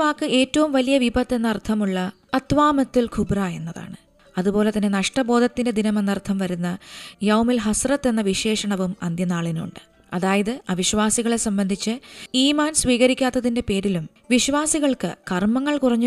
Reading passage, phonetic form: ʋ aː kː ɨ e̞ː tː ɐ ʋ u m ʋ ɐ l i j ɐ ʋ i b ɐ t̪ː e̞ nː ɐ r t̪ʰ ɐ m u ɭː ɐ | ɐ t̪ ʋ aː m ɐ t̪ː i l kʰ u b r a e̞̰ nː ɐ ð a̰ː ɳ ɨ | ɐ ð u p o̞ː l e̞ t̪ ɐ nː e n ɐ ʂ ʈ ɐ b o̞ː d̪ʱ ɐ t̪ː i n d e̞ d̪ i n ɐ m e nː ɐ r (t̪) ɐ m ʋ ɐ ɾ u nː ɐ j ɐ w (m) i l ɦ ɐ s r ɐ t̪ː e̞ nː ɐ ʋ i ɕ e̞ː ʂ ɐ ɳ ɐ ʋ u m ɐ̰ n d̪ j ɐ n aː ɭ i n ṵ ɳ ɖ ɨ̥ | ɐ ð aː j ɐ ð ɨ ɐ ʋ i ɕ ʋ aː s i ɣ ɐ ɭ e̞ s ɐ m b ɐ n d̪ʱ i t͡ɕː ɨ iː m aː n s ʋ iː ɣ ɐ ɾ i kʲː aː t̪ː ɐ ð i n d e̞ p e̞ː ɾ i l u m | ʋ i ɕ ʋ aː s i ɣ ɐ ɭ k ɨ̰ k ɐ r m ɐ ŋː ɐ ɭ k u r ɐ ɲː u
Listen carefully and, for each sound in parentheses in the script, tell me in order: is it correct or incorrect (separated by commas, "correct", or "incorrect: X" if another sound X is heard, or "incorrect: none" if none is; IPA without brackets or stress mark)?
incorrect: t̪ʰ, correct